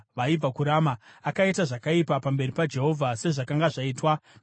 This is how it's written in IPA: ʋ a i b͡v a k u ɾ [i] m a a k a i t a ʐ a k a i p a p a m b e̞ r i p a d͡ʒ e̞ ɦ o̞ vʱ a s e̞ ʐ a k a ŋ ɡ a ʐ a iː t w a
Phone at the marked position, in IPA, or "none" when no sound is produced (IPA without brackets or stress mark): a